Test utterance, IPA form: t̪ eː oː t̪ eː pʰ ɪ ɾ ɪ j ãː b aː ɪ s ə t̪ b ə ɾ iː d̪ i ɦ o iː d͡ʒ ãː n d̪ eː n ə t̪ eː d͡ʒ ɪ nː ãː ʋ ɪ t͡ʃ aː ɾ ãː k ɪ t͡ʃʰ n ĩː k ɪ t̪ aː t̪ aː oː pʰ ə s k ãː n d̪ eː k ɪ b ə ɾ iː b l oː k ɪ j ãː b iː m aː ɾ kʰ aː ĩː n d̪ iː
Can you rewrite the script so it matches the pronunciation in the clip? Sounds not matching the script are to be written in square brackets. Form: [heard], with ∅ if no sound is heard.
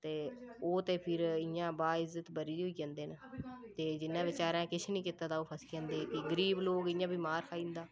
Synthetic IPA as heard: t̪ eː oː t̪ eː pʰ ɪ ɾ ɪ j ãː b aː ɪ [z] ə t̪ b ə ɾ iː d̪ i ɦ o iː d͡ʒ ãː n d̪ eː n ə t̪ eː d͡ʒ ɪ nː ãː ʋ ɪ t͡ʃ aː ɾ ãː k ɪ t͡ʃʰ n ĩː k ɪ t̪ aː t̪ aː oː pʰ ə s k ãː n d̪ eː k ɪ [ɡ] ə ɾ iː b l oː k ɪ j ãː b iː m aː ɾ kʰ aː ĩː n d̪ [aː]